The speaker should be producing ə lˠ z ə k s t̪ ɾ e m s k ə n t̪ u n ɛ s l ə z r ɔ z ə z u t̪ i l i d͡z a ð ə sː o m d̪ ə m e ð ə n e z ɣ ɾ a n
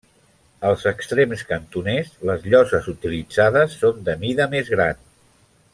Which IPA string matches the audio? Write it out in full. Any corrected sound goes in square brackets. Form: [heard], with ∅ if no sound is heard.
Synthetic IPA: ə lˠ z ə k s t̪ ɾ e m s k ə n t̪ u n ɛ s l ə z [ʎ] ɔ z ə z u t̪ i l i d͡z a ð ə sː o [n] d̪ ə m [i] ð ə [m] e z ɣ ɾ a n